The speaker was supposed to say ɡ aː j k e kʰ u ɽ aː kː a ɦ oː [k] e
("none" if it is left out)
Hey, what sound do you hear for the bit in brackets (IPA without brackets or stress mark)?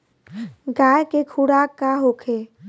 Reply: kʰ